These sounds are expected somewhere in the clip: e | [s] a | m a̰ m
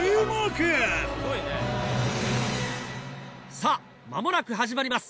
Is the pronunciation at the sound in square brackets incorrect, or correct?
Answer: correct